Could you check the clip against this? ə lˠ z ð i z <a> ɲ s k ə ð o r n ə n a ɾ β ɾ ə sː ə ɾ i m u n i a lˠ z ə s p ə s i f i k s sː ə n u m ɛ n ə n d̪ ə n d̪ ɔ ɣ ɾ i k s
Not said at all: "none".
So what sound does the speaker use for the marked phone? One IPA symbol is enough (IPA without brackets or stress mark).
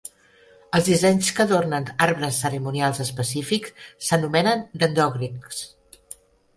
ɛ